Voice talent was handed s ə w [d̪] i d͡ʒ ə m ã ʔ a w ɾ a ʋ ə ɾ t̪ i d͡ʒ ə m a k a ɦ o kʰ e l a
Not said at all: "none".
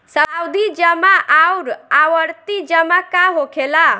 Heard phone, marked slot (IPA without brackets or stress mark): d̪